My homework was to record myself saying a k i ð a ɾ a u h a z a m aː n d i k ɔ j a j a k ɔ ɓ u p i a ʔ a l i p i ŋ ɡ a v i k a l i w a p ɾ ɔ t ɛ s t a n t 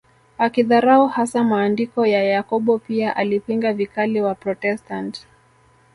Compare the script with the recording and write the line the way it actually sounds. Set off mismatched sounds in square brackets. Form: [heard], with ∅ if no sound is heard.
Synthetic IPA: a k i ð a ɾ a u h a [s] a m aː n d i k ɔ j a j a k ɔ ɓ [ɔ] p i a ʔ a l i p i ŋ ɡ a v i k a l i w a p ɾ ɔ t ɛ s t a n t